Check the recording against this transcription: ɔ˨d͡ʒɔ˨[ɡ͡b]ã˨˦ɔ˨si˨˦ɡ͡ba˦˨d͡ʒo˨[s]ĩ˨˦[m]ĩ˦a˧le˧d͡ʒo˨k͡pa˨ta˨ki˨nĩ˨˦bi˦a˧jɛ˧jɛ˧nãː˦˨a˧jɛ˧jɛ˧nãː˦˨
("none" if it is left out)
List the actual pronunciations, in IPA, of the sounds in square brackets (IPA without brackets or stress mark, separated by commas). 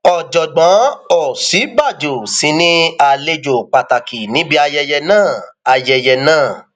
ɡ͡b, s, n